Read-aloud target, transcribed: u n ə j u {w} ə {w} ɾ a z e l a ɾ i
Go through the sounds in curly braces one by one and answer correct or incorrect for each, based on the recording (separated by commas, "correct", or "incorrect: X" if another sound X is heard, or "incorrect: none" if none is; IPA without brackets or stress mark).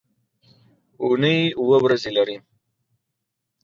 correct, correct